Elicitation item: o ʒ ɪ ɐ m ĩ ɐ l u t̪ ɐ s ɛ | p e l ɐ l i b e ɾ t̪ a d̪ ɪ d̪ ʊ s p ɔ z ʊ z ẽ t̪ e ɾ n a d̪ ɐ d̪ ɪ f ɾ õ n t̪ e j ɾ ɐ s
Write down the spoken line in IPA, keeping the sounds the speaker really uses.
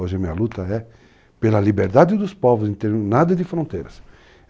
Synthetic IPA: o ʒ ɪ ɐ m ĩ ɐ l u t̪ ɐ ɛ | p e l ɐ l i b e ɾ d̪ a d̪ ɪ d̪ ʊ s p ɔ v ʊ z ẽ t̪ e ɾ n a d̪ ɐ d̪ ɪ f ɾ õ n t̪ e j ɾ ɐ s